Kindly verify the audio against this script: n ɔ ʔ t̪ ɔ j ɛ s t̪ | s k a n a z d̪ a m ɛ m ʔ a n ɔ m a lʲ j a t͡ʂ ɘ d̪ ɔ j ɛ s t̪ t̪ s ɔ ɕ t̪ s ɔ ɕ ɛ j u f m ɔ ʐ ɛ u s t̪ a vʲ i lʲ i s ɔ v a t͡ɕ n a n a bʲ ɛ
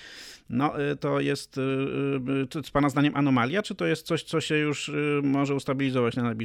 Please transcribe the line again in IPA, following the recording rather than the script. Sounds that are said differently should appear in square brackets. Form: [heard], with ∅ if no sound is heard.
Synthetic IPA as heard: n ɔ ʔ t̪ ɔ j ɛ s t̪ | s [p] a n a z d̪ a [ɲ] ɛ m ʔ a n ɔ m a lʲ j a t͡ʂ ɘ [t̪] ɔ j ɛ s t̪ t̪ s ɔ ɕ t̪ s ɔ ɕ ɛ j u [ʂ] m ɔ ʐ ɛ u s t̪ a [bʲ] i lʲ i [z] ɔ v a t͡ɕ n a n a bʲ [i]